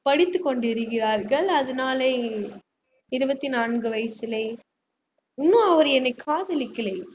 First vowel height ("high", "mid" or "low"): low